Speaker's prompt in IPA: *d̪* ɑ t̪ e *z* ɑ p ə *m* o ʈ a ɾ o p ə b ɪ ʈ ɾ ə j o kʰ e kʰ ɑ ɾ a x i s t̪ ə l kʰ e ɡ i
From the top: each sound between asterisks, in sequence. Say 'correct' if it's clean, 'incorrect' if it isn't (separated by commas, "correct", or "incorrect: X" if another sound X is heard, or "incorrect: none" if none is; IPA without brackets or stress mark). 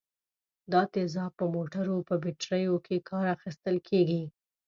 correct, correct, correct